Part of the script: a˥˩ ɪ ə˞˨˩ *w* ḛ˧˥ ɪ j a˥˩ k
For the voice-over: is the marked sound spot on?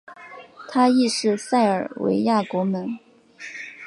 yes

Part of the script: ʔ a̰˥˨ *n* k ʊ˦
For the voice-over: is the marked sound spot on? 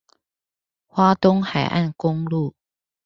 yes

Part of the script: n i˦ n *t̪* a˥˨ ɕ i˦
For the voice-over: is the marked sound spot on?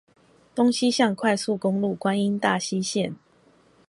yes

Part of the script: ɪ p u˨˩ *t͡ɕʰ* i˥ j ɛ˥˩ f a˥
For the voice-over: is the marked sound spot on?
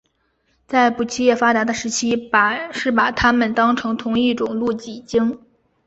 yes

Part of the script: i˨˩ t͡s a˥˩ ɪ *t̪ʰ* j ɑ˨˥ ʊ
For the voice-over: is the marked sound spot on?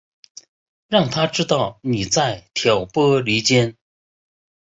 yes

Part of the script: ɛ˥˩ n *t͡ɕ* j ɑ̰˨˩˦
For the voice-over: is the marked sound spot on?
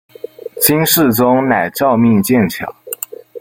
no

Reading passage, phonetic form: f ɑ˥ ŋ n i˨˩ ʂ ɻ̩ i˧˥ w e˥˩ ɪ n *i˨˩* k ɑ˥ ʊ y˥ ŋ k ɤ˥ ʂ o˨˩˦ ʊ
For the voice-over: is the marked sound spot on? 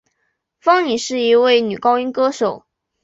no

